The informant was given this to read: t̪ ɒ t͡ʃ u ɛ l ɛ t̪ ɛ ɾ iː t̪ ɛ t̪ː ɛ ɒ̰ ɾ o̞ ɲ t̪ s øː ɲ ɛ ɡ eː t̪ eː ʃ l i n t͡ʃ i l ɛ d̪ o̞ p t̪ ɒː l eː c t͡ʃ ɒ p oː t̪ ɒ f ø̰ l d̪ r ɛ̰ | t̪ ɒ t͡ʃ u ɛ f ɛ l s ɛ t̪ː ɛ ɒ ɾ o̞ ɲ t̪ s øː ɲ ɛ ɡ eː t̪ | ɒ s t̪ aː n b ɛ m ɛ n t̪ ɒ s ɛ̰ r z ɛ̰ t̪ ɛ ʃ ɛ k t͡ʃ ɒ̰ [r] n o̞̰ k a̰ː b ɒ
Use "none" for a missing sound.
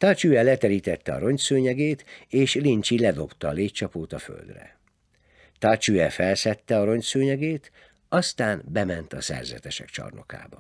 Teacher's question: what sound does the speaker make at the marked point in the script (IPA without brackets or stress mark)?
r